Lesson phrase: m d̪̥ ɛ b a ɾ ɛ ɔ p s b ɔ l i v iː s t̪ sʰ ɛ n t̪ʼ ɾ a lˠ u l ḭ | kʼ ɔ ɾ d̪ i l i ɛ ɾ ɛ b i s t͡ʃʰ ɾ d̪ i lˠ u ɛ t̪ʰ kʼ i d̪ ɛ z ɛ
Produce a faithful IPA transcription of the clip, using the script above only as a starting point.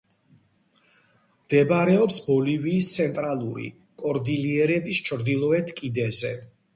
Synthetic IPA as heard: m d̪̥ ɛ b a ɾ ɛ ɔ p s b ɔ l i v iː s t̪ sʰ ɛ n t̪ʼ ɾ a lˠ u ɾ ḭ | kʼ ɔ ɾ d̪ i l i ɛ ɾ ɛ b i s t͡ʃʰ ɾ d̪ i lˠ ɔ ɛ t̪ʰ kʼ i d̪ ɛ z ɛ